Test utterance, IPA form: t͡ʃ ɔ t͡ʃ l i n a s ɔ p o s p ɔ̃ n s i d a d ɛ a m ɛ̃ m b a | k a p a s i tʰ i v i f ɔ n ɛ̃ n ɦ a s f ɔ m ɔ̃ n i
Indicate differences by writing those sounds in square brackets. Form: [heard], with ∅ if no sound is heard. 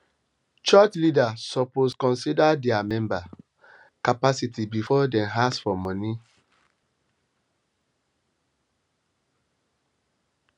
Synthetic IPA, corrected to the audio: t͡ʃ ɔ t͡ʃ l i [d] a s ɔ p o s [k] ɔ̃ n s i d a d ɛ a m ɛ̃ m b a | k a p a s i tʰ i [b] i f ɔ [d] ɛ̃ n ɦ a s f ɔ m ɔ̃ n i